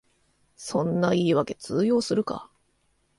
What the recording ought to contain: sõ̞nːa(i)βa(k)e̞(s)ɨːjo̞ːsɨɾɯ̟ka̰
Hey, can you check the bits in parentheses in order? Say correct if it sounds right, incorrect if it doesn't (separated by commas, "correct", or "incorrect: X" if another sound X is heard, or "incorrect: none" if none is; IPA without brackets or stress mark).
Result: incorrect: iː, correct, incorrect: t͡s